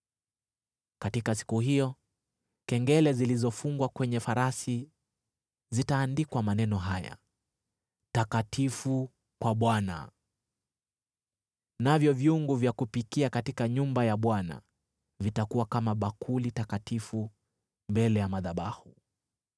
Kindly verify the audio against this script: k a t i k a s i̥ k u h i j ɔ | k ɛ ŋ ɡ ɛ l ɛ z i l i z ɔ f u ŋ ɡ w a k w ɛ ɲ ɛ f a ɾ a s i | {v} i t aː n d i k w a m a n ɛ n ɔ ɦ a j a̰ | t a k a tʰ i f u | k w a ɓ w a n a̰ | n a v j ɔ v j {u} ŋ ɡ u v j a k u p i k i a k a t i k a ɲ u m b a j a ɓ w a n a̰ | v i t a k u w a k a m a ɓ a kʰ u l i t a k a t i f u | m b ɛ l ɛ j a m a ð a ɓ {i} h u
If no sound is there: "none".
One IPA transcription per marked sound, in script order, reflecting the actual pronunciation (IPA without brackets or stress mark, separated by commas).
z, u, a